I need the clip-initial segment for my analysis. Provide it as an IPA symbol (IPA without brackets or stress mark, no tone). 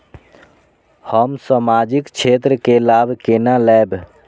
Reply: h